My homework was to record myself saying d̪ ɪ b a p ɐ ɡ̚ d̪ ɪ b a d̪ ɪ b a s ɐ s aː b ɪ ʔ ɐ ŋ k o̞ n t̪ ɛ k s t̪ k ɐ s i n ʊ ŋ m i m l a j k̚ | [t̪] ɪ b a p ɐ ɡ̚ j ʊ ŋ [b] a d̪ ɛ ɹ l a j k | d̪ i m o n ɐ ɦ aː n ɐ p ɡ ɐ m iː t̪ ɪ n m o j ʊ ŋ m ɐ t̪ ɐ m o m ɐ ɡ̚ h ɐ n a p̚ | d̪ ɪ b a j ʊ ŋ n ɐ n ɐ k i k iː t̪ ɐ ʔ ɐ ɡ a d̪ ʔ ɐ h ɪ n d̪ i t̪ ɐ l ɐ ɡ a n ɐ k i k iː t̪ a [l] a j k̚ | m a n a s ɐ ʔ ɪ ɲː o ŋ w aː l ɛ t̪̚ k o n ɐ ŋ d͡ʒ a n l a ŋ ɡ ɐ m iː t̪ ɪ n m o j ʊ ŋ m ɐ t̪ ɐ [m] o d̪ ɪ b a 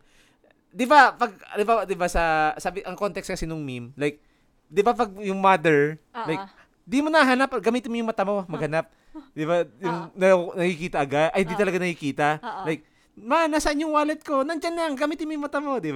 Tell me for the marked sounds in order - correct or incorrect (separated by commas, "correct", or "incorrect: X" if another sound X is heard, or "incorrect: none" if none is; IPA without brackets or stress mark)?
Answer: incorrect: d̪, incorrect: m, correct, correct